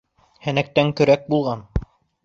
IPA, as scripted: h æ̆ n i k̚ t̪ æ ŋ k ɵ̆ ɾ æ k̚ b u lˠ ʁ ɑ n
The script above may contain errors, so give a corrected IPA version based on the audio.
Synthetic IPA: h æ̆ n æ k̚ t̪ æ ŋ k ɵ̆ ɾ æ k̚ b u lˠ ʁ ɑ n